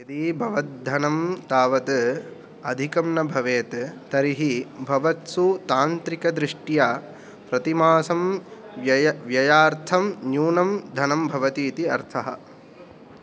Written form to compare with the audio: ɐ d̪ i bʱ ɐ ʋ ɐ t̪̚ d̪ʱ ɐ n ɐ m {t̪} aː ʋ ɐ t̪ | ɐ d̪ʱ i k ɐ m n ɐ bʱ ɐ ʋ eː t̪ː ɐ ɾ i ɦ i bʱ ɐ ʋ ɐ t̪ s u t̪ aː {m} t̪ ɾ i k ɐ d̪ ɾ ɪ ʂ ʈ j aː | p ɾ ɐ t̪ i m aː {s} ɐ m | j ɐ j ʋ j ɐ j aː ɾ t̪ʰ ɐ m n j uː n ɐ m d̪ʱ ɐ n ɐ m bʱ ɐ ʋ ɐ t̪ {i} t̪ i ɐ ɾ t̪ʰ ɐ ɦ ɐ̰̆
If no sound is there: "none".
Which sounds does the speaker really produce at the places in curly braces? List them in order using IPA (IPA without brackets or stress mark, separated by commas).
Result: t̪, n, s, iː